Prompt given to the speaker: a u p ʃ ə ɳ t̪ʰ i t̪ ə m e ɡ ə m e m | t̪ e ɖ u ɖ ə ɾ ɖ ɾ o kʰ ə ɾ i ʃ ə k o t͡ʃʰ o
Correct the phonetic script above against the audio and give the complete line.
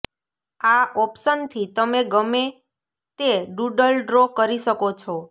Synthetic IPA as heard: a ɔ p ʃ ə n t̪ʰ i t̪ ə m e ɡ ə m e | t̪ e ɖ u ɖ ə l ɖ ɾ o k ə ɾ i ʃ ə k o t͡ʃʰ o

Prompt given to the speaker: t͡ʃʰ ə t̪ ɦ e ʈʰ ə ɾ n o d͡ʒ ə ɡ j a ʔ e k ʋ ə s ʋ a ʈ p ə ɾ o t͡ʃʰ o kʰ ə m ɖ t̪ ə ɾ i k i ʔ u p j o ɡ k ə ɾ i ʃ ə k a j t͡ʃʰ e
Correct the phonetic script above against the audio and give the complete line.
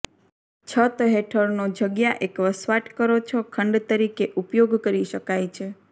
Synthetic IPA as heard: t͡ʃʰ ə t̪ ɦ e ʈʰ ə ɾ n o d͡ʒ ə ɡ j a ʔ e k ʋ ə s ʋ a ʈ k ə ɾ o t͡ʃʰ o kʰ ə ɳ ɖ t̪ ə ɾ i k e ʔ u p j o ɡ k ə ɾ i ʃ ə k a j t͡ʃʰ e

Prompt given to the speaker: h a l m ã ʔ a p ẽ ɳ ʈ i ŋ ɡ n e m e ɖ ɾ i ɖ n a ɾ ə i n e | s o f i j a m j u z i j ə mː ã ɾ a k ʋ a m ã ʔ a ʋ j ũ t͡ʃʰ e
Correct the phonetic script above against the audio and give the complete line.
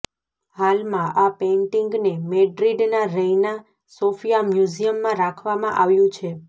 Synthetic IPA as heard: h a l m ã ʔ a p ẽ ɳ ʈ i ŋ ɡ n e m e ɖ ɾ i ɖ n a ɾ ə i n a | s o f i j a m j u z i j ə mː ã ɾ a kʰ ʋ a m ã ʔ a ʋ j ũ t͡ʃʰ e

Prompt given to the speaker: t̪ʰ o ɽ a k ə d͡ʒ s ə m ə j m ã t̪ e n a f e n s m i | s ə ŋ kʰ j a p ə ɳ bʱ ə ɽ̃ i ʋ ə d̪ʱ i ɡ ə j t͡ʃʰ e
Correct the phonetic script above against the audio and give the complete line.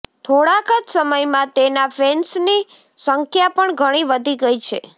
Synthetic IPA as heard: t̪ʰ o ɽ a k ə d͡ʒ s ə m ə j m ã t̪ e n a f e n s n i | s ə ŋ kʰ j a p ə ɳ ɡʱ ə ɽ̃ i ʋ ə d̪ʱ i ɡ ə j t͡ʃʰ e

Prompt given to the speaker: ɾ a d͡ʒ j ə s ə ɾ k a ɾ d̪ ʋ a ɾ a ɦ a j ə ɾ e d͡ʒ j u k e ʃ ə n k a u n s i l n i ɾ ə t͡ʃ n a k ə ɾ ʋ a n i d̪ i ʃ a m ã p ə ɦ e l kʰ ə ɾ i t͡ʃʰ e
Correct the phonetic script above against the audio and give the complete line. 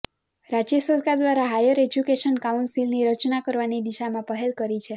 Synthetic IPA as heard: ɾ a d͡ʒ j ə s ə ɾ k a ɾ d̪ ʋ a ɾ a ɦ a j ə ɾ e d͡ʒ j u k e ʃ ə n k a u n s i l n i ɾ ə t͡ʃ n a k ə ɾ ʋ a n i d̪ i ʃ a m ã p ə ɦ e l k ə ɾ i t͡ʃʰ e

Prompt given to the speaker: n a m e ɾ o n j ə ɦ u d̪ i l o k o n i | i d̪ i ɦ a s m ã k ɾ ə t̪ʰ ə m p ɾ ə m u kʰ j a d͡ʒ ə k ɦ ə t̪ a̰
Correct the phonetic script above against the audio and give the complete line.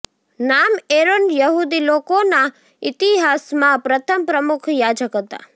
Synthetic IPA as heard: n a m e ɾ o n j ə ɦ u d̪ i l o k o n a | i t̪ i ɦ a s m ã p ɾ ə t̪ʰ ə m p ɾ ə m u kʰ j a d͡ʒ ə k ɦ ə t̪ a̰

